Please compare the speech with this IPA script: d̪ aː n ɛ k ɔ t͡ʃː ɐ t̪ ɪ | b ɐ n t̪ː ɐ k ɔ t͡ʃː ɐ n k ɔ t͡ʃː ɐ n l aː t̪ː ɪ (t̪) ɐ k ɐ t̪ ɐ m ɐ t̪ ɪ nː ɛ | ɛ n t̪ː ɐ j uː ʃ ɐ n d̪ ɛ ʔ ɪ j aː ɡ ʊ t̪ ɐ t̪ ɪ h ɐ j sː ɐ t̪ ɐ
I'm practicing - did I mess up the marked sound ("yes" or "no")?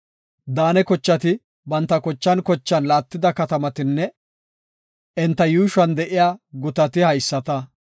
yes